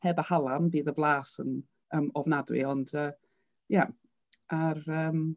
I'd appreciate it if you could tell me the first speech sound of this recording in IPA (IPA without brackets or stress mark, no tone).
h